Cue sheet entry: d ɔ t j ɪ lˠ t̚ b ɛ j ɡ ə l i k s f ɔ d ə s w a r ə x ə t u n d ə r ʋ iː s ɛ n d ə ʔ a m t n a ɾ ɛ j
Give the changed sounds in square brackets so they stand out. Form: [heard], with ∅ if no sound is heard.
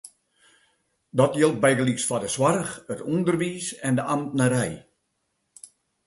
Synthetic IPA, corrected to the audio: d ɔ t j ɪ lˠ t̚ b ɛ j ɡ ə l i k s f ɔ d ə s w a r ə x ə t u n d ə r ʋ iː s ɛ n d ə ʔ a m t n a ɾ ɛ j